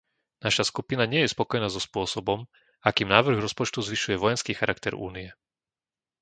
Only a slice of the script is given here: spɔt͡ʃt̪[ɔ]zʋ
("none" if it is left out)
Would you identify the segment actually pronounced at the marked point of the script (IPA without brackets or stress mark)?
u